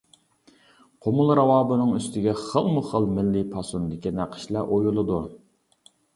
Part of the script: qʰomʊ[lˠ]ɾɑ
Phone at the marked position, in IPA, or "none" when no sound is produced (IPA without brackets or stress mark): lˠ